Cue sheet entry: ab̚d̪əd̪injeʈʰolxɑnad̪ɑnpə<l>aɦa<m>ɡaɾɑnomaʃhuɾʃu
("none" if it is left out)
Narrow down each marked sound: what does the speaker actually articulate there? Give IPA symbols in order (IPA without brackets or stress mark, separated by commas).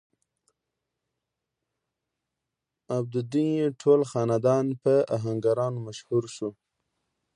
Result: none, ŋ